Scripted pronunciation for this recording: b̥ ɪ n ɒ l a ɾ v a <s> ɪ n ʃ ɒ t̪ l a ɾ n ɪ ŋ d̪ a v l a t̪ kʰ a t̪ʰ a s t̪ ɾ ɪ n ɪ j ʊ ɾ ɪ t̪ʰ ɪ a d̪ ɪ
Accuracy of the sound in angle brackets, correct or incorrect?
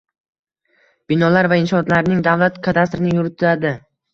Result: incorrect